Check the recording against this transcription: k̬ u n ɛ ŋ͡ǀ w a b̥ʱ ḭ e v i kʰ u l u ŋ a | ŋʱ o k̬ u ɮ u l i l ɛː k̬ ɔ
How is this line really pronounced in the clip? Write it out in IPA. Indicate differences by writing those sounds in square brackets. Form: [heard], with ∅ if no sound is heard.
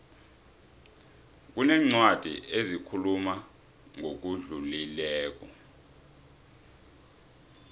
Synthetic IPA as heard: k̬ u n ɛ ŋ͡ǀ w a [d̥ʱ] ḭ e [z] i kʰ u l u [m] a | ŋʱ o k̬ u ɮ u l i l ɛː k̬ ɔ

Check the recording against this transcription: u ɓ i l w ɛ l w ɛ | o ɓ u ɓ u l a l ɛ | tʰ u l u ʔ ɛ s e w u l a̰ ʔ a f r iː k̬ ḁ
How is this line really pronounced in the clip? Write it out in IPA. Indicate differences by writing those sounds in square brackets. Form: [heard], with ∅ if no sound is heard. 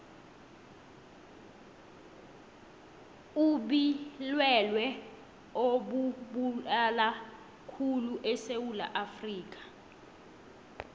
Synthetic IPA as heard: u ɓ i l w ɛ l w ɛ | o ɓ u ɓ u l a l [a] | [kʰ] u l u ʔ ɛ s e w u l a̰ ʔ a f r iː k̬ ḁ

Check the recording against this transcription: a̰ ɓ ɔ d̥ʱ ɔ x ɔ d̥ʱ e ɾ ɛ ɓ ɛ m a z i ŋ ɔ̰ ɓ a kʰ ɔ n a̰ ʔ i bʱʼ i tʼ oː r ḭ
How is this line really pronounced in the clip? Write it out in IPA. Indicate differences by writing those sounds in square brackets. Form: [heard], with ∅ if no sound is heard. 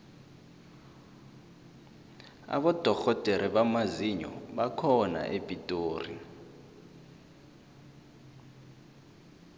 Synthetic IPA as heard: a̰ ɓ ɔ d̥ʱ ɔ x ɔ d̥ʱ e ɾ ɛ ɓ [a] m a z i [ɲ] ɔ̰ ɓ a kʰ ɔ n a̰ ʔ [e] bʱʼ i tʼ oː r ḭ

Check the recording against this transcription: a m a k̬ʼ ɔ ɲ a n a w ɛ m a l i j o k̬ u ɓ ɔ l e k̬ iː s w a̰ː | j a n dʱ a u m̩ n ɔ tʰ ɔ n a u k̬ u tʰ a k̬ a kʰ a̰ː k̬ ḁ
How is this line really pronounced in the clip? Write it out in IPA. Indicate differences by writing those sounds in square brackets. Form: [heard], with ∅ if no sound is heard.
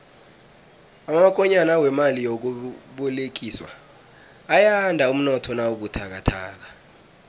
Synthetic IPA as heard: a m a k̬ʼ ɔ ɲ a n a w ɛ m a l i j o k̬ u ɓ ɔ l e k̬ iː s w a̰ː | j a n dʱ a u m̩ n ɔ tʰ ɔ n a u k̬ u tʰ a k̬ a [tʰ] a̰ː k̬ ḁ

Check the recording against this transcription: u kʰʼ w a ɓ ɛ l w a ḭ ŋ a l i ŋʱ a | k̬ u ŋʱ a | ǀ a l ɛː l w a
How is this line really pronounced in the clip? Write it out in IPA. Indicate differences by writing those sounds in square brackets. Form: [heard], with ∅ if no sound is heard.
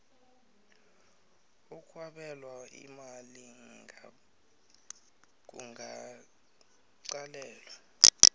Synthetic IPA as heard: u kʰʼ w a ɓ ɛ l w a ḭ [m] a l i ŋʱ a | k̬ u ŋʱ a | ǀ a l ɛː l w a

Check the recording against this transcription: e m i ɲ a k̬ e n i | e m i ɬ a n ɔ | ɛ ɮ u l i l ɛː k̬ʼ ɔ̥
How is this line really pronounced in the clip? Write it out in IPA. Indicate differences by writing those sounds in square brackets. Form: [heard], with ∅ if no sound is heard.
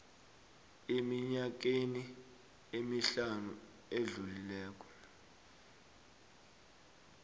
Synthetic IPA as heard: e m i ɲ a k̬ e n i | e m i ɬ a n [u] | [e] ɮ u l i l ɛː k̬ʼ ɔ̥

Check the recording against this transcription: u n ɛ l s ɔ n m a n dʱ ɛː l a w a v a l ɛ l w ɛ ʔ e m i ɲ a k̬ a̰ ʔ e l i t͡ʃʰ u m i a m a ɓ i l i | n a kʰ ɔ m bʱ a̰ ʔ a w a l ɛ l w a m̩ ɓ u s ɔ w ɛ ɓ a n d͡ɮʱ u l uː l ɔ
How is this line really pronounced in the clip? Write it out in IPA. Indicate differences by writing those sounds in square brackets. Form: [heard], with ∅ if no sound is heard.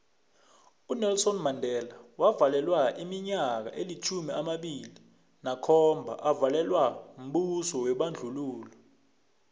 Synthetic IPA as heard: u n ɛ l s ɔ n m a n dʱ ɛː l a w a v a l ɛ l w [a] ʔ [i] m i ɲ a k̬ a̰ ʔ e l i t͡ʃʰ u m i a m a ɓ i l i | n a kʰ ɔ m bʱ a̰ ʔ a [v] a l ɛ l w a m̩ ɓ u s ɔ w ɛ ɓ a n d͡ɮʱ u l uː l ɔ

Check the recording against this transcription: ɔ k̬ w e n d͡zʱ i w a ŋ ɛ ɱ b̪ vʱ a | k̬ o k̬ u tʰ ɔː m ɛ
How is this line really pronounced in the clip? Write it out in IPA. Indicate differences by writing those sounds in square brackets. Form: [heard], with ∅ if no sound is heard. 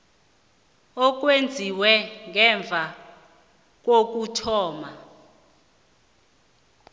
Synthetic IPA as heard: ɔ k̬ w e n d͡zʱ i w [ɛ] ŋ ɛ ɱ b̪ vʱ a | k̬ o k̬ u tʰ ɔː m [a]

